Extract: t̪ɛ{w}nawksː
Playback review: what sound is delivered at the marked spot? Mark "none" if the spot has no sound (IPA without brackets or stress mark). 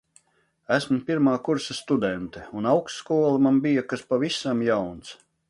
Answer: u